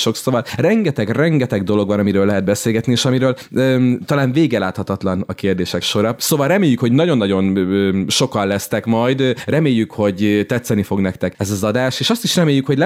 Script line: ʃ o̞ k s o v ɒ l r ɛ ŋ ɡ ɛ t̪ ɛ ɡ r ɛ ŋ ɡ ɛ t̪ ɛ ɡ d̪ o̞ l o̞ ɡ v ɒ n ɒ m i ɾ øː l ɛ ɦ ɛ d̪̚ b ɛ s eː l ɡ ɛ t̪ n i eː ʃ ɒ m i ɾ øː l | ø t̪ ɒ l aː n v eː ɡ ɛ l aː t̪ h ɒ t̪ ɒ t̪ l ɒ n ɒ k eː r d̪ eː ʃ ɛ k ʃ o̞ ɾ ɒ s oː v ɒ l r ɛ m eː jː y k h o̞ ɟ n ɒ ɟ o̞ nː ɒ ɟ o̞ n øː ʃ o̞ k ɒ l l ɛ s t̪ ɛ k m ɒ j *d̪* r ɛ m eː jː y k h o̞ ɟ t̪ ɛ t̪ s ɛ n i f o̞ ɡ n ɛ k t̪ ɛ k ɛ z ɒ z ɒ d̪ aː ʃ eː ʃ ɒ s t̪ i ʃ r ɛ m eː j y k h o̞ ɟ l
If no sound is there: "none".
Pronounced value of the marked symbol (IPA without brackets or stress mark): d̪